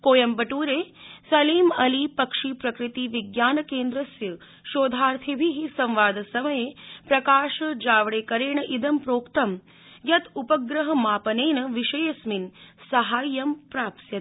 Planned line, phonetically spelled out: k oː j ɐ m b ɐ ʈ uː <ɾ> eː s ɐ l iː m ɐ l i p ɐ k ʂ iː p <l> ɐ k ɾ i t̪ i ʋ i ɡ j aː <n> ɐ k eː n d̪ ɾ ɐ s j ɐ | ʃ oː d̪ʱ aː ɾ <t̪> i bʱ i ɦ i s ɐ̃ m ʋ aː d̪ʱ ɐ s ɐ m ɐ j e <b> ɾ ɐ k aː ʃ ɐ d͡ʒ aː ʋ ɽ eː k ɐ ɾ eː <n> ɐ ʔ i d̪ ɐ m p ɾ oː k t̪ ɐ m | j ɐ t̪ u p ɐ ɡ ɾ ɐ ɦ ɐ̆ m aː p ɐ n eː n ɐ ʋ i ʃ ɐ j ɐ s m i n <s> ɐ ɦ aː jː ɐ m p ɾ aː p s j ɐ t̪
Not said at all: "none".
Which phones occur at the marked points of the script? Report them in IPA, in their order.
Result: ɾ, ɾ, n, t̪ʰ, p, ɳ, s

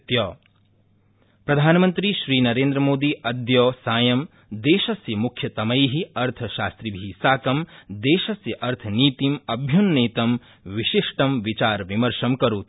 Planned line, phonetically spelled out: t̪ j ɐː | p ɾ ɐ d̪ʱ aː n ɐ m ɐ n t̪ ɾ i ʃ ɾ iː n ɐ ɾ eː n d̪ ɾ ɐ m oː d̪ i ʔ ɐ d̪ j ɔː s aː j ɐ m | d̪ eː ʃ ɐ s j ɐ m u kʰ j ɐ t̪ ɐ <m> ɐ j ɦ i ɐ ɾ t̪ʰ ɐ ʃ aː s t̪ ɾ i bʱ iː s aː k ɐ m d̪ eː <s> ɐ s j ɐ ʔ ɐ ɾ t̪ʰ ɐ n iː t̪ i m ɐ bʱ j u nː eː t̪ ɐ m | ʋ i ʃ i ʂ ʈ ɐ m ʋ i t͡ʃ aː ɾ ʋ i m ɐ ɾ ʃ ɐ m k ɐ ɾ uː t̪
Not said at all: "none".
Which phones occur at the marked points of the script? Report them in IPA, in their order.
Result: m, ʃ

